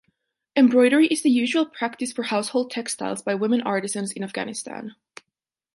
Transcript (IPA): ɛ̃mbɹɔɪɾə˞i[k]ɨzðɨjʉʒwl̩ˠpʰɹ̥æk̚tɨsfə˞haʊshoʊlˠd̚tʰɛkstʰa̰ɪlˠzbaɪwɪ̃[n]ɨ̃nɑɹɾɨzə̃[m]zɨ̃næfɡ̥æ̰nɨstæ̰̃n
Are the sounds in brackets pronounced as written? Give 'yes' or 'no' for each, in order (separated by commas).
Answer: no, no, no